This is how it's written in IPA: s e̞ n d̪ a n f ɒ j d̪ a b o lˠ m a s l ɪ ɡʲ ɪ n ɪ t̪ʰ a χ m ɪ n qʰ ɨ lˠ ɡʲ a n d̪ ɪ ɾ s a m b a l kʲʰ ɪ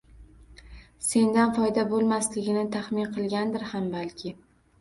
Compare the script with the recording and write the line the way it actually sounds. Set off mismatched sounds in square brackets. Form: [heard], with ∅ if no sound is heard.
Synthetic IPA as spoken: s e̞ n d̪ a n f ɒ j d̪ a b o lˠ m a s l ɪ ɡʲ ɪ n ɪ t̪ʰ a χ m ɪ n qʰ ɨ lˠ ɡʲ a n d̪ ɪ ɾ [h] a m b a l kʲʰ ɪ